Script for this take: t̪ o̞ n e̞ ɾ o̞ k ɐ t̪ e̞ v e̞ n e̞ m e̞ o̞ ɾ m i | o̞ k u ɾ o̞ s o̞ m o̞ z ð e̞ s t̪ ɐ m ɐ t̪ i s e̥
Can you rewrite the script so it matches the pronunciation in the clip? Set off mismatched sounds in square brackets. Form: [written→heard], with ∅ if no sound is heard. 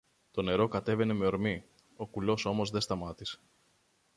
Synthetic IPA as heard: t̪ o̞ n e̞ ɾ o̞ k ɐ t̪ e̞ v e̞ n e̞ m e̞ o̞ ɾ m i | o̞ k u [ɾ→l] o̞ s o̞ m o̞ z ð e̞ s t̪ ɐ m ɐ t̪ i s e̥